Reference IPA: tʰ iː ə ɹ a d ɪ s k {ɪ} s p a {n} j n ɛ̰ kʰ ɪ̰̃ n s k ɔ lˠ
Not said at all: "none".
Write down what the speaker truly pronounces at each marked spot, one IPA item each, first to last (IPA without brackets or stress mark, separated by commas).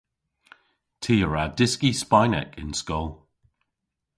i, none